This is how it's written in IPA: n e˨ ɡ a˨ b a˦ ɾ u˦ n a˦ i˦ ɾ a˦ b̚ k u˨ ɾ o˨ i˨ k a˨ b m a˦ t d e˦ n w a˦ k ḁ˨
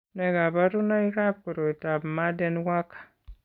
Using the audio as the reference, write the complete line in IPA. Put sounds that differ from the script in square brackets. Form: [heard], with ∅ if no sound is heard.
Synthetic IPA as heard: n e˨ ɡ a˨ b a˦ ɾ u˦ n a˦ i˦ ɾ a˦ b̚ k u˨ ɾ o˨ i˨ [t] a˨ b m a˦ [∅] d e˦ n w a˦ k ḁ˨